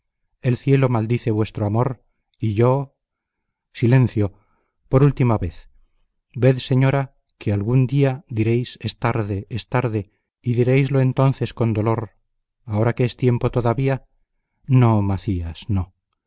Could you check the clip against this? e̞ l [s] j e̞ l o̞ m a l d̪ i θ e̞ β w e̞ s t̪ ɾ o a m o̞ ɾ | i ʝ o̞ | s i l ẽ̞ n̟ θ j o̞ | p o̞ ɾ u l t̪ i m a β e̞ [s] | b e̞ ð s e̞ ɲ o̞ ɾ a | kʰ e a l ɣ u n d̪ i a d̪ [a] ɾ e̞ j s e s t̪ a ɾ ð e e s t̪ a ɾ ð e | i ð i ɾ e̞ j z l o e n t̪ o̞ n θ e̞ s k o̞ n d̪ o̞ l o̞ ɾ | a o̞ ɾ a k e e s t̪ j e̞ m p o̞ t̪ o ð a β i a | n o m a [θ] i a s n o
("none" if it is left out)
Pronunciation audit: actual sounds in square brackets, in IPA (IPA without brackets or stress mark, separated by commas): θ, θ, i, θ